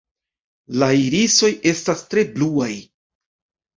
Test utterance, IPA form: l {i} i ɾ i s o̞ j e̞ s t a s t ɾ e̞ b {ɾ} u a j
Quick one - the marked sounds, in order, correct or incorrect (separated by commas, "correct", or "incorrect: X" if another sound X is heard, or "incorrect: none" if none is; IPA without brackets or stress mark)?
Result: incorrect: a, incorrect: l